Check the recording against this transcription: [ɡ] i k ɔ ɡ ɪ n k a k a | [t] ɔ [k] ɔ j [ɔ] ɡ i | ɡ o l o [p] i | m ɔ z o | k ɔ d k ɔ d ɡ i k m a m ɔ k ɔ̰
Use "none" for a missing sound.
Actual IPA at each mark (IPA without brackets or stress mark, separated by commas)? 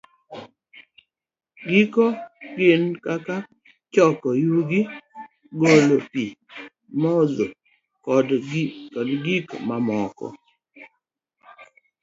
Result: ɡ, t͡ʃ, k, u, p